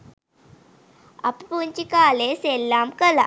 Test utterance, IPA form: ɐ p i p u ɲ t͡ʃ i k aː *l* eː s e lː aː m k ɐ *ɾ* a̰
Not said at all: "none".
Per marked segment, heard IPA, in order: l, l

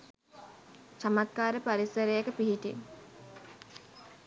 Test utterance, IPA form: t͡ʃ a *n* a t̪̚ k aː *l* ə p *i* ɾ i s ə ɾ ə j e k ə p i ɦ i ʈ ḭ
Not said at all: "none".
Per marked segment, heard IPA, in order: m, ɾ, a

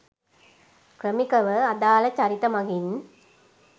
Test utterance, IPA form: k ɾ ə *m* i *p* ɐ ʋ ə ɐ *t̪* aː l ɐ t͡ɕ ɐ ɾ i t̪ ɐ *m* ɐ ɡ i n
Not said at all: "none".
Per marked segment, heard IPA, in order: m, k, d̪, m

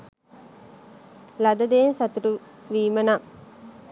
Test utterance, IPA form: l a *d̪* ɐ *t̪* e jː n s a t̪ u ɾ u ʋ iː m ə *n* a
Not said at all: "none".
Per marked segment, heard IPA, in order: d̪, d̪, n

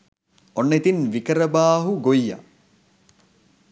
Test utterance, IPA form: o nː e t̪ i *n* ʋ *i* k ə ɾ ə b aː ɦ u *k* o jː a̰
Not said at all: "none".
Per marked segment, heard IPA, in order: n, i, ɡ

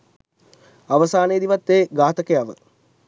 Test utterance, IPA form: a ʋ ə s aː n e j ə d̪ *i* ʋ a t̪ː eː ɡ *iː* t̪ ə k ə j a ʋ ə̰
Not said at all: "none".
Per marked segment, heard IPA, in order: i, aː

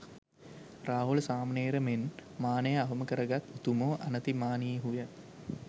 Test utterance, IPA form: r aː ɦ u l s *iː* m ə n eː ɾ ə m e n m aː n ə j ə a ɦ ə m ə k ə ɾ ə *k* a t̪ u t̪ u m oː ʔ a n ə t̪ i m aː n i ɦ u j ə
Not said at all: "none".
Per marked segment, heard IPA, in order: aː, ɡ

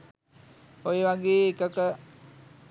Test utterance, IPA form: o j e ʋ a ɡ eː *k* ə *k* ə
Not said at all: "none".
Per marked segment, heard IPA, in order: k, k

